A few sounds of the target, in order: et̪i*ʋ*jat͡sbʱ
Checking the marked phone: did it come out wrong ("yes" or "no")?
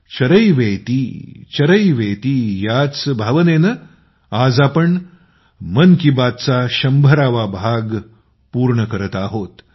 yes